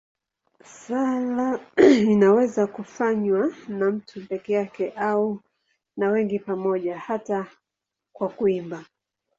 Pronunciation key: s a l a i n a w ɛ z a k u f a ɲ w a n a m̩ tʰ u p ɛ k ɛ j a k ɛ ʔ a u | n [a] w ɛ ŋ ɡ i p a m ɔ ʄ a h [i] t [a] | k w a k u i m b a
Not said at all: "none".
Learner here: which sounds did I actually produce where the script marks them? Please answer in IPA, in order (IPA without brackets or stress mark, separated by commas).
a, a, a